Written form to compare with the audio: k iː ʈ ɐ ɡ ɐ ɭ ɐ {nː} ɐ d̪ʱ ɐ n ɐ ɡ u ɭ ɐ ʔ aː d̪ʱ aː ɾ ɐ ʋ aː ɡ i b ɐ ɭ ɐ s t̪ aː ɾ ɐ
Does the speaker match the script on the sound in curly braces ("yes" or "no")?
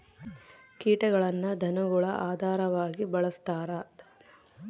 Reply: yes